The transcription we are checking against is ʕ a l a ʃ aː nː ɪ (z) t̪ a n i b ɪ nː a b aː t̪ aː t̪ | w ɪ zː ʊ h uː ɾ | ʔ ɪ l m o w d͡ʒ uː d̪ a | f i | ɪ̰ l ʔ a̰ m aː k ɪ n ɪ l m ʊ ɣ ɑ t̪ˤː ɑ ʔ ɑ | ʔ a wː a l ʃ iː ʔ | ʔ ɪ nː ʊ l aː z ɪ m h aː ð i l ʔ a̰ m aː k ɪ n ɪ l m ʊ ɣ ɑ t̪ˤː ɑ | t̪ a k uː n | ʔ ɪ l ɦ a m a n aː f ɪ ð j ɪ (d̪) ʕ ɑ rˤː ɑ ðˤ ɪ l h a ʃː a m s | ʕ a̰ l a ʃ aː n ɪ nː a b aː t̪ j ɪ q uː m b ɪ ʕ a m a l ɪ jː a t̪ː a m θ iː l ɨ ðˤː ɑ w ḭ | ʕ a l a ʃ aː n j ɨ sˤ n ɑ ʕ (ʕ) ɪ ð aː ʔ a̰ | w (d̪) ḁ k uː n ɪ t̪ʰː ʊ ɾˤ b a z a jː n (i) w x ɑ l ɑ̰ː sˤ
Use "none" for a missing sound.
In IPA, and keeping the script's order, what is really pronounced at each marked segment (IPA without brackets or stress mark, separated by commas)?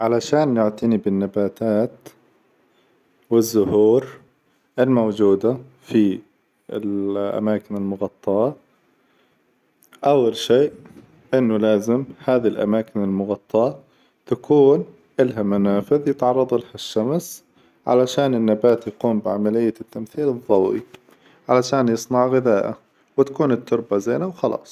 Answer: ʕ, t̪, ɣ, t̪, a